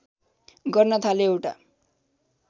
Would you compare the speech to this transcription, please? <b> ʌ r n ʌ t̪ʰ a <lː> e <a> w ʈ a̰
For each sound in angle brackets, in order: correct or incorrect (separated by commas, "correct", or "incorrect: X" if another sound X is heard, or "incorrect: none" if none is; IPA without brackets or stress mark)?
incorrect: ɡ, incorrect: l, incorrect: e